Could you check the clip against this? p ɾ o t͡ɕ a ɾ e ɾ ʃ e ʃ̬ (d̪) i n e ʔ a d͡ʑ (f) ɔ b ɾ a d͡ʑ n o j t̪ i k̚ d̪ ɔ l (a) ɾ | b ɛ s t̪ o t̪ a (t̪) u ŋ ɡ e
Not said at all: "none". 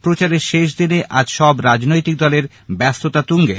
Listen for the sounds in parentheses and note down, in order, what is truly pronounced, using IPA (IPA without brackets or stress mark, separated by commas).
d̪, ʃ, e, t̪